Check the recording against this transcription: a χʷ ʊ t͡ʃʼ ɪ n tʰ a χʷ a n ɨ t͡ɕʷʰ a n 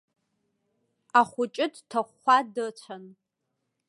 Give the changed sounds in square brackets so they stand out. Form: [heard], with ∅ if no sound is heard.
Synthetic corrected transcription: a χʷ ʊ t͡ʃʼ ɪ [d] tʰ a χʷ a [d] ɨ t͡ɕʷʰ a n